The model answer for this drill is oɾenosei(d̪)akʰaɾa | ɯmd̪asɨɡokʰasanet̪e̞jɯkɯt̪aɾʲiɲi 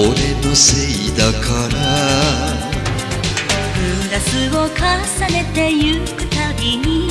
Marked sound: correct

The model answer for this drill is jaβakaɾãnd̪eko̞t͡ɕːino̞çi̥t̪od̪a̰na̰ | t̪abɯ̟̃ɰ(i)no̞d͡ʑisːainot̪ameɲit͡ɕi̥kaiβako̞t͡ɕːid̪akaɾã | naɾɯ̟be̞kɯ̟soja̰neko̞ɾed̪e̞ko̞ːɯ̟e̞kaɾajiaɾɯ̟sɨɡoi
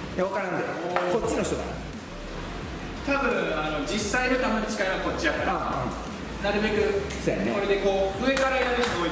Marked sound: incorrect: a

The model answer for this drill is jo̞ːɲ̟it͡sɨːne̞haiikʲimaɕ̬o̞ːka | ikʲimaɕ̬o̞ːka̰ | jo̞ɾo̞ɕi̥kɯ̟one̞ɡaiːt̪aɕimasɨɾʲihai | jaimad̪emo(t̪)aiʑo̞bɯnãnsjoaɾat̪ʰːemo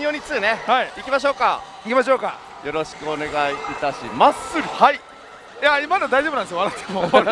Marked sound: incorrect: d̪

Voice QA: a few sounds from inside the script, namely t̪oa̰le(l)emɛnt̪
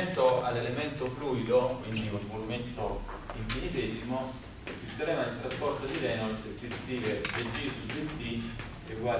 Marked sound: correct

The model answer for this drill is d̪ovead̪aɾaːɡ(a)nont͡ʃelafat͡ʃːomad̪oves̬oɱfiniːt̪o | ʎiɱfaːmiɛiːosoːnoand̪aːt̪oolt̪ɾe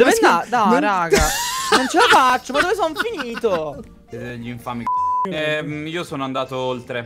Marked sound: correct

